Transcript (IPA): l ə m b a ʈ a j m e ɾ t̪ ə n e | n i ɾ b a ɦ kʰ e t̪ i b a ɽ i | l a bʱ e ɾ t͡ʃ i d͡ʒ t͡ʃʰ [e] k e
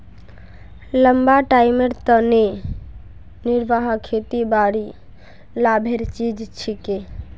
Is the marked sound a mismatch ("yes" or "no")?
yes